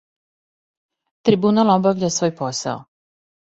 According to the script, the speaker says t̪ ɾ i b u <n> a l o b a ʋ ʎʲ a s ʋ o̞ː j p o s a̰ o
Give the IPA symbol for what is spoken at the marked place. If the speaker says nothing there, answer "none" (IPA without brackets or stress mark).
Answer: n